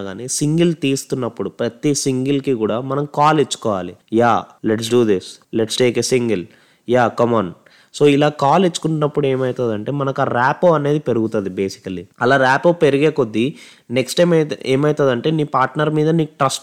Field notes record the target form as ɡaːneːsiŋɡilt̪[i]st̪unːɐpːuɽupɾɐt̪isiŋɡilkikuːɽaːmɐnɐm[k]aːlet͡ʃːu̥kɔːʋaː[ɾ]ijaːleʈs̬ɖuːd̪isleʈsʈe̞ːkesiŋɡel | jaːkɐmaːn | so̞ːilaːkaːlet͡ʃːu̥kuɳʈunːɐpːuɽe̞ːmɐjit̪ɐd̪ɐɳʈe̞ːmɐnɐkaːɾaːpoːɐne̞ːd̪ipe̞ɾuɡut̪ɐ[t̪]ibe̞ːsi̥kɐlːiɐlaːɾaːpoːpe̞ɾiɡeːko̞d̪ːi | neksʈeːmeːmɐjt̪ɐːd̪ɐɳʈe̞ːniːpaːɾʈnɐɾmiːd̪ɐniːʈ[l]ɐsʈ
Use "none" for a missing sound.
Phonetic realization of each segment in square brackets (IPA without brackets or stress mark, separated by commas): iː, k, l, d̪, ɾ